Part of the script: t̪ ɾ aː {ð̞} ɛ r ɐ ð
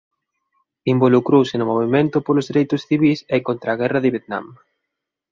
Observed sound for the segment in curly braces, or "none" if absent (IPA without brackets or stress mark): ɣ̞